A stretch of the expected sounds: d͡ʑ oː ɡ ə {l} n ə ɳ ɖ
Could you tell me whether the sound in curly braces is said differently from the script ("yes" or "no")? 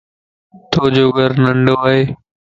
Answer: yes